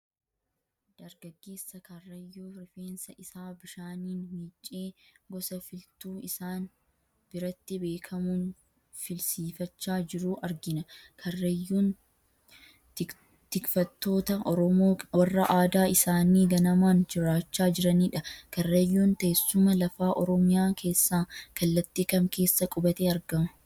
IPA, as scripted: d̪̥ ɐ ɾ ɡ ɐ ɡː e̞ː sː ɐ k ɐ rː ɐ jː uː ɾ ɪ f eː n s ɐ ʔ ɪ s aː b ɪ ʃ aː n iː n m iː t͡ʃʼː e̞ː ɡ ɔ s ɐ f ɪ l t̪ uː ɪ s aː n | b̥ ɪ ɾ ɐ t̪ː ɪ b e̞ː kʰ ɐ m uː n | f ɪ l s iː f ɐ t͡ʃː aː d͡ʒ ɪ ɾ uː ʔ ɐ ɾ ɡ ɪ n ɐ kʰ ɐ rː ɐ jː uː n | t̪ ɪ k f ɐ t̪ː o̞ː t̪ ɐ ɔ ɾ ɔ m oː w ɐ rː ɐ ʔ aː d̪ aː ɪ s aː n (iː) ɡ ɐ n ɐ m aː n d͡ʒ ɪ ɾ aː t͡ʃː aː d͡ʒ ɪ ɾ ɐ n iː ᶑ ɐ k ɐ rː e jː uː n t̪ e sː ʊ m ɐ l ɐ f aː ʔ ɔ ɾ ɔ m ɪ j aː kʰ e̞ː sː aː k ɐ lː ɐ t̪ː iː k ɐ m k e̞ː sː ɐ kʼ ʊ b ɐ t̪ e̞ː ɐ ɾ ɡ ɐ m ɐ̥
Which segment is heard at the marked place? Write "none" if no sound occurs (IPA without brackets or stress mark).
iː